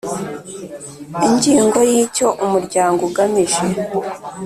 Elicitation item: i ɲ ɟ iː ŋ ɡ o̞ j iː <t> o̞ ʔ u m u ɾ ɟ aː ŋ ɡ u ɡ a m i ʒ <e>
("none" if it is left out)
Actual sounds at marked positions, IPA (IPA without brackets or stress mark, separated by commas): c, e